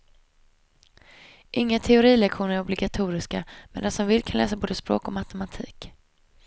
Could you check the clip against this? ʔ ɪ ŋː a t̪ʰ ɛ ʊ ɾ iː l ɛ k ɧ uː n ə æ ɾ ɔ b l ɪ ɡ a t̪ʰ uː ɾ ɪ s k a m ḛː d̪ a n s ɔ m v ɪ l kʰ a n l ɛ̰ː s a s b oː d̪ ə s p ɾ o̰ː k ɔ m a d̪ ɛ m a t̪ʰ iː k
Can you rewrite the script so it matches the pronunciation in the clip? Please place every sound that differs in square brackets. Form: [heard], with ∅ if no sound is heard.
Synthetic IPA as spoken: ʔ ɪ ŋː a t̪ʰ ɛ ʊ ɾ iː l ɛ k ɧ uː n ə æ ɾ ɔ b l ɪ ɡ a t̪ʰ uː ɾ ɪ s k a m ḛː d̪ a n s ɔ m v ɪ l kʰ a n l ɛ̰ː s a [∅] b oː d̪ ə s p ɾ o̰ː k ɔ m a [t̪] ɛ m a t̪ʰ iː k